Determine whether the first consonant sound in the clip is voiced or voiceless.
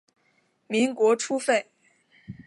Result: voiced